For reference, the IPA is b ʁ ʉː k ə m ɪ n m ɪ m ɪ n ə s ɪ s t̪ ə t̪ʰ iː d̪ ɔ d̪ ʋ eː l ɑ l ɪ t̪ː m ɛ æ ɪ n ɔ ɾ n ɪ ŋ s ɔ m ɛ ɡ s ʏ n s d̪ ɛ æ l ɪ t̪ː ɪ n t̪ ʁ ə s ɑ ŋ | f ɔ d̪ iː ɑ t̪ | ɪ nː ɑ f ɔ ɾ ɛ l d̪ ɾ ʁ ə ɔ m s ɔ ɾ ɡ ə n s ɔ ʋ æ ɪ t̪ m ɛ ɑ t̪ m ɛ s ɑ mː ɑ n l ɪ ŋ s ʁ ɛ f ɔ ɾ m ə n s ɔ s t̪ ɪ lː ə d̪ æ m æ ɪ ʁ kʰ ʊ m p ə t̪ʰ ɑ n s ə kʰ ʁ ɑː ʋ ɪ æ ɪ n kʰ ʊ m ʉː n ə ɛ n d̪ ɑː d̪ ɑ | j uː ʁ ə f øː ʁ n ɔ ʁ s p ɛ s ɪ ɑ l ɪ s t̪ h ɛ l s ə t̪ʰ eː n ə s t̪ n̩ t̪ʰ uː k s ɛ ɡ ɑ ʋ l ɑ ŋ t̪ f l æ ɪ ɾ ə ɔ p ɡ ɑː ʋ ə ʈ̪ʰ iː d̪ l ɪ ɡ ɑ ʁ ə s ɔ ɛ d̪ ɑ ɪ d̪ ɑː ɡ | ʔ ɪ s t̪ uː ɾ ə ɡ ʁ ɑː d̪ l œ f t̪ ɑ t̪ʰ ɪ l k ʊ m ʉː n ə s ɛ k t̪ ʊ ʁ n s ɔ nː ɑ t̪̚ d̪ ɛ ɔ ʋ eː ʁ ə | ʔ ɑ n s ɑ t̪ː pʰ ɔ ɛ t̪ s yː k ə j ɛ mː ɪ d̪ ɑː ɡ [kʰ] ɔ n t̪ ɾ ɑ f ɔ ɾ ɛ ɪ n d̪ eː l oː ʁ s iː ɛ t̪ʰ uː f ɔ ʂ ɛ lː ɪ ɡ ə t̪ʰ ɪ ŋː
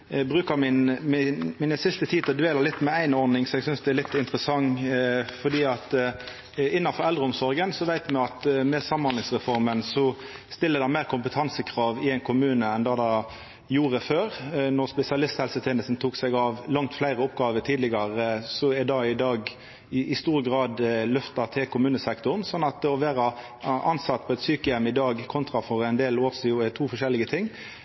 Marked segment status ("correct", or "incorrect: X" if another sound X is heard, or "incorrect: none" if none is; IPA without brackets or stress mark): correct